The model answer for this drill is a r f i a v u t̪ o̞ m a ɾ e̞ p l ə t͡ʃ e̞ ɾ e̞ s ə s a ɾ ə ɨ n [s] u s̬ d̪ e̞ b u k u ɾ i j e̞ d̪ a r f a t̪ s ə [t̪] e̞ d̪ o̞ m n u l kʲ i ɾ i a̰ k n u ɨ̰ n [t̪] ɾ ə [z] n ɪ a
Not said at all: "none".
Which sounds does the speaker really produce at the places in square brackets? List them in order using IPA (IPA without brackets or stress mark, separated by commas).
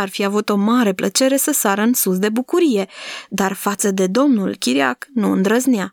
s, d̪, d̪, z